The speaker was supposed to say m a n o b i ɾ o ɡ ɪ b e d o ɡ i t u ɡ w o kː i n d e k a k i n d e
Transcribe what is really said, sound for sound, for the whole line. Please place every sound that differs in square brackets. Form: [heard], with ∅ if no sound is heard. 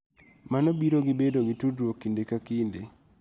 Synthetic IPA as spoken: m a n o b i ɾ o ɡ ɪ b e d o ɡ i t u [d] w o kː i n d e k a k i n d e